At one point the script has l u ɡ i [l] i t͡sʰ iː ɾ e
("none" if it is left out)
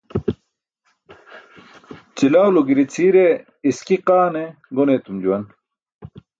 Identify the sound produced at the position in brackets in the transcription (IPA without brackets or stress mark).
ɾ